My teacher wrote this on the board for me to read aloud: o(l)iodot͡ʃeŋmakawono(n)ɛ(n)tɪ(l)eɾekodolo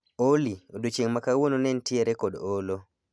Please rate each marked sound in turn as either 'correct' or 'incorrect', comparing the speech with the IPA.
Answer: correct, correct, correct, incorrect: none

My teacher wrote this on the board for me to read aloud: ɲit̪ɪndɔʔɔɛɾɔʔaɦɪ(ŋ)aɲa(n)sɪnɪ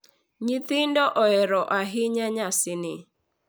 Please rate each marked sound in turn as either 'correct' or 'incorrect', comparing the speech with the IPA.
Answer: incorrect: ɲ, incorrect: none

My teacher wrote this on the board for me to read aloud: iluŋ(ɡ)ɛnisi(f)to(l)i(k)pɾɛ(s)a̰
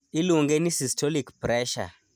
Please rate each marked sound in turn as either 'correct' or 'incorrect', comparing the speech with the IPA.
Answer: correct, incorrect: s, correct, correct, incorrect: ʃ

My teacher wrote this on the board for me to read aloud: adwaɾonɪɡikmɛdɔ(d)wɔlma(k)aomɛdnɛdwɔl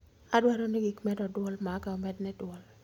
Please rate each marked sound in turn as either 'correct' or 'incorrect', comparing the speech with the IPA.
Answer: correct, correct

